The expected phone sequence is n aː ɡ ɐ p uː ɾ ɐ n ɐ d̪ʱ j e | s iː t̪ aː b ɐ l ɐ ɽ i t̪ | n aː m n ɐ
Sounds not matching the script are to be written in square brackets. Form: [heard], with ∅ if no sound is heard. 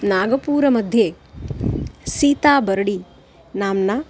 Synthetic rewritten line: n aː ɡ ɐ p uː ɾ ɐ [m] ɐ d̪ʱ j e | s iː t̪ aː b ɐ [ɾ] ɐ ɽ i [∅] | n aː m n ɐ